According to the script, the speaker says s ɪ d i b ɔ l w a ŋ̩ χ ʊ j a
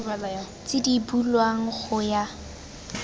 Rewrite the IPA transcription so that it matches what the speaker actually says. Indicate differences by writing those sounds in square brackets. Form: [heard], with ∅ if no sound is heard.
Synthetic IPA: [t͡s] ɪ d i b [u] l w a ŋ̩ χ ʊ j a